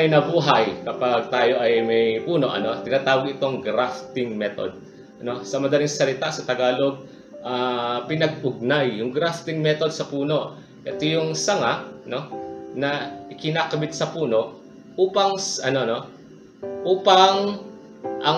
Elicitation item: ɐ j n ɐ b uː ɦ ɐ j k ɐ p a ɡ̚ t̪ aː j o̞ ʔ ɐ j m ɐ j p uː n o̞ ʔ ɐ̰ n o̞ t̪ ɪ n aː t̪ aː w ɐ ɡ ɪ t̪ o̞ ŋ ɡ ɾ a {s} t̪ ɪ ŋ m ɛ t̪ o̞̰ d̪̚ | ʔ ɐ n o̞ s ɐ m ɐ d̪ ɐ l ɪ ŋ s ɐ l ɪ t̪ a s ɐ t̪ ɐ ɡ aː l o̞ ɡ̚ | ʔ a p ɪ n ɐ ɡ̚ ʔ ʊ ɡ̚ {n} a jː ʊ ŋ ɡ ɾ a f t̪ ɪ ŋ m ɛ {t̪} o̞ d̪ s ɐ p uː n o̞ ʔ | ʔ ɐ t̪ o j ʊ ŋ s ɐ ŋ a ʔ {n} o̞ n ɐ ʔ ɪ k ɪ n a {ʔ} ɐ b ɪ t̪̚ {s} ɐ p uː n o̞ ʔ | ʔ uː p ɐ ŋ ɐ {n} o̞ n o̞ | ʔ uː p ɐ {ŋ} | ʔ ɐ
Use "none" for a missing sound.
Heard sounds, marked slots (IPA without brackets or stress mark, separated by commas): f, n, t̪, n, k, s, n, ŋ